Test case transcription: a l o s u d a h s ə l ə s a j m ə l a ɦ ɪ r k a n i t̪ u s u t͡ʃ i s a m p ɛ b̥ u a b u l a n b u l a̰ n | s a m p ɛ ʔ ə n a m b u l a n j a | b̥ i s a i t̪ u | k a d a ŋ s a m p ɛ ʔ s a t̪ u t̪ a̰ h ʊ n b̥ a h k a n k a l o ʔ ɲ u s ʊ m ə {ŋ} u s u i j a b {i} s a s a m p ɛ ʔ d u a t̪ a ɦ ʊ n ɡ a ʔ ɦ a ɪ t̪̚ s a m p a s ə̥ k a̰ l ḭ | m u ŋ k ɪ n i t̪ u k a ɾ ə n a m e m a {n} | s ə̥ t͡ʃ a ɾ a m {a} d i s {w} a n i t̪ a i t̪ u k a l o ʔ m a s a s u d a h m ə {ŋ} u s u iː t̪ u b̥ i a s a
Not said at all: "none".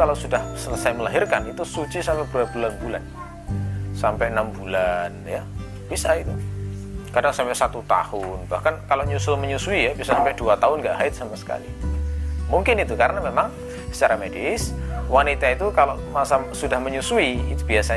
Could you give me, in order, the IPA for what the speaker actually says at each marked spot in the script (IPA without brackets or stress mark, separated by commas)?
ɲ, i, ŋ, e, w, ɲ